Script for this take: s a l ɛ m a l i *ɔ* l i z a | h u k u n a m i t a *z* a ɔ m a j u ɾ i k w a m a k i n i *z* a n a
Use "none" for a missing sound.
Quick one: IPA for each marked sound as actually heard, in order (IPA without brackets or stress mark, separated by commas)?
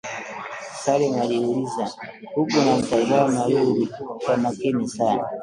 u, z, s